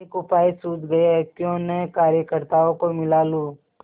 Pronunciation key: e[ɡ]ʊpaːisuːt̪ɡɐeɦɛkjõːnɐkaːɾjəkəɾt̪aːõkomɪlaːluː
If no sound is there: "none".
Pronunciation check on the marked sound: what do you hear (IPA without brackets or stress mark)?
k